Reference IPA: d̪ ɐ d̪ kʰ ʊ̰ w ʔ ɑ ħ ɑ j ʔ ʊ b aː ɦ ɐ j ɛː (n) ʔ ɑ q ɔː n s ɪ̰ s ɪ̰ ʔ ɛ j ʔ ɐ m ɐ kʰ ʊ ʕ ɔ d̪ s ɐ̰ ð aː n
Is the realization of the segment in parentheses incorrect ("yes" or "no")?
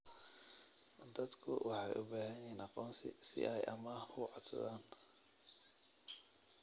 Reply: no